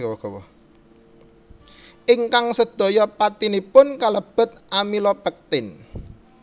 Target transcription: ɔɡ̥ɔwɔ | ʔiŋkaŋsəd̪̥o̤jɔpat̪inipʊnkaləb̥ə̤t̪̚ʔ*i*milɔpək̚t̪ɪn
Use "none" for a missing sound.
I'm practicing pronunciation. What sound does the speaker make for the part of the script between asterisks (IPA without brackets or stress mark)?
a